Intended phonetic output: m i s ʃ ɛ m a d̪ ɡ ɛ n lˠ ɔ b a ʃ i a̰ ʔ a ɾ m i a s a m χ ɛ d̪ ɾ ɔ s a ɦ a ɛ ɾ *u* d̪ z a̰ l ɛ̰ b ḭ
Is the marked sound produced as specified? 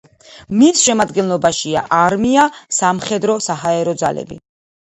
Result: no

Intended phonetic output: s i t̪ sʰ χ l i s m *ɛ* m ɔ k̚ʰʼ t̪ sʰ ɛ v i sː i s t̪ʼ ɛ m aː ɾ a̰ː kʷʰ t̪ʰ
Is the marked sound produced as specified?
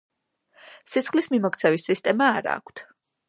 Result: no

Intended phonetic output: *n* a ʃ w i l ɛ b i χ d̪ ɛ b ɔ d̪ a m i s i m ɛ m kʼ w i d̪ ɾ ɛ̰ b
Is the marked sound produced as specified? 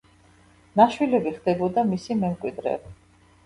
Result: yes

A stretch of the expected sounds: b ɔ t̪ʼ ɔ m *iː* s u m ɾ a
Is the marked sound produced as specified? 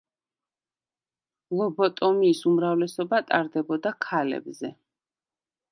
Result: yes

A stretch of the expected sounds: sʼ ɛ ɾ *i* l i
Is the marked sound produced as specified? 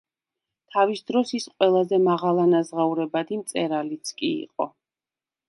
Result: no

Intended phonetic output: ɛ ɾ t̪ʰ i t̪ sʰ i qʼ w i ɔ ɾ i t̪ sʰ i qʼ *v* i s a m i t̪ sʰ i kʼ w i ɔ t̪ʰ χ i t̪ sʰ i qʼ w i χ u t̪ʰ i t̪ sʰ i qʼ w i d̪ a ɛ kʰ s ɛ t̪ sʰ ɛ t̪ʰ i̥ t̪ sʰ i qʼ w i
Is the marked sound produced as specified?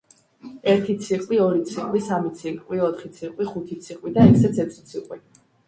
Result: no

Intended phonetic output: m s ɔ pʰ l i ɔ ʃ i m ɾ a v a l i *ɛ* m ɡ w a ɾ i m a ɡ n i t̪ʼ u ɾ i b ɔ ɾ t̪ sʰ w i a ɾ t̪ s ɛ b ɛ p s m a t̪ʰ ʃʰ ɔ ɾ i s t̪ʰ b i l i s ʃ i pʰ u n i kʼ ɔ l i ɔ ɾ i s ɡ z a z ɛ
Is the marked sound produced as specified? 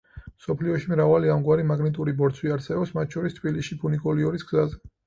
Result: no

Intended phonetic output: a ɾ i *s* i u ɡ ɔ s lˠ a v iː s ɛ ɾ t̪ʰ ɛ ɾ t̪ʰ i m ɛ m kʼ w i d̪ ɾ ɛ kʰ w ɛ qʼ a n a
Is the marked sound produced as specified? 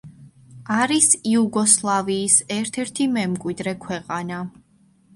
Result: yes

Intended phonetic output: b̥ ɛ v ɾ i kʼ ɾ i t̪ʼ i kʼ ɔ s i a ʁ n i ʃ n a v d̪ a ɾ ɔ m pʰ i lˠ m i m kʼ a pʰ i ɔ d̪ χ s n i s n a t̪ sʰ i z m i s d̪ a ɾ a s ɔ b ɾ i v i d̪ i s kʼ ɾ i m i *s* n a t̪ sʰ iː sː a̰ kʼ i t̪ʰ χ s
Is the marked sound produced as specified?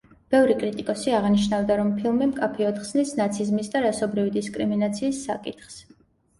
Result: no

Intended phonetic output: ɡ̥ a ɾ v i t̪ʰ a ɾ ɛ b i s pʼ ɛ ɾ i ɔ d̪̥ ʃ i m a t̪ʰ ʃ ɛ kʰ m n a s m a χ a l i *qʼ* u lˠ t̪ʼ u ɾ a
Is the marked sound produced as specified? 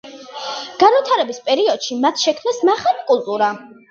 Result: no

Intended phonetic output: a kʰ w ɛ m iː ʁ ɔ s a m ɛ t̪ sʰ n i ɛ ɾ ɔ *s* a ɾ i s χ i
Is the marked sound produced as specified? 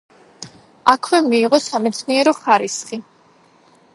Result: no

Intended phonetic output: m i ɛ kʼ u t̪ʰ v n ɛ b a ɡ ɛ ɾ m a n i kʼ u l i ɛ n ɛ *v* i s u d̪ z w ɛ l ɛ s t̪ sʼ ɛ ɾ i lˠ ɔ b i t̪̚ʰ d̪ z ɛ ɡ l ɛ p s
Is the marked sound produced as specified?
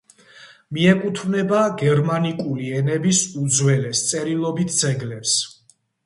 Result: no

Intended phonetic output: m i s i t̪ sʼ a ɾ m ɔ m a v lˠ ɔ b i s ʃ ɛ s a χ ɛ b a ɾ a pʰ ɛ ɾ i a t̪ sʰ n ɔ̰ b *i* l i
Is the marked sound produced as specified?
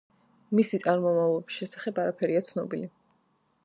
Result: yes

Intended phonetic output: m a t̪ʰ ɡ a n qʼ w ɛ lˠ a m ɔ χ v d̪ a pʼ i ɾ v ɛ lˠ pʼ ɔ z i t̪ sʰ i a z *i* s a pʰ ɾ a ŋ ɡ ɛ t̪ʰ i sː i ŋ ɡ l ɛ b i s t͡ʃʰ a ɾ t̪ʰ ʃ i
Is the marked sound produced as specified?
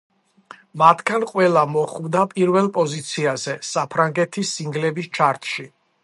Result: no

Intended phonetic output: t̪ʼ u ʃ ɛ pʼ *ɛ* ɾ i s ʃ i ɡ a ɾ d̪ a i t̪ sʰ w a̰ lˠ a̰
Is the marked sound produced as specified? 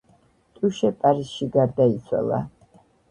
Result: no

